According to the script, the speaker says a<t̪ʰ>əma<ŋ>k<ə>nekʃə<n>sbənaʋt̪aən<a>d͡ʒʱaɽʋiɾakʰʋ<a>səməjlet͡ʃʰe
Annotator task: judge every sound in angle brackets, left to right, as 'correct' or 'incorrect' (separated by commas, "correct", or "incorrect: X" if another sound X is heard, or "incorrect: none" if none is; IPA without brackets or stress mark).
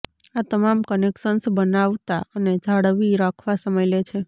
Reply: incorrect: t̪, incorrect: m, correct, correct, incorrect: e, correct